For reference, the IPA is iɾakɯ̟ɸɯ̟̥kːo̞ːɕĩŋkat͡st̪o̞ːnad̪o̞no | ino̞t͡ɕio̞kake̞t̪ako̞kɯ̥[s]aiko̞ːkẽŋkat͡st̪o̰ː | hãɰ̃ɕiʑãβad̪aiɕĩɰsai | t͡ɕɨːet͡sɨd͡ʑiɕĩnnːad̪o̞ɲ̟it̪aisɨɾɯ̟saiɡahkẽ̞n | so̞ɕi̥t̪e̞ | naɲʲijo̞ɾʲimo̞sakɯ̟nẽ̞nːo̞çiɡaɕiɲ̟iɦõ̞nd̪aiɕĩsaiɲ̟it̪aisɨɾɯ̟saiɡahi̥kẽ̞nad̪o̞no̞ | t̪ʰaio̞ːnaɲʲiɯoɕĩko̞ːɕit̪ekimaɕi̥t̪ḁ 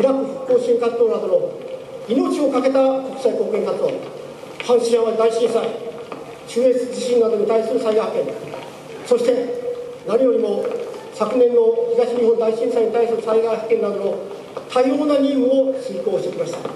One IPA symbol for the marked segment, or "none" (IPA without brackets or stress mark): s